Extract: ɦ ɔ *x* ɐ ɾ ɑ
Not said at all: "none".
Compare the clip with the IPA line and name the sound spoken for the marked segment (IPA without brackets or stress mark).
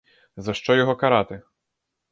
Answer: k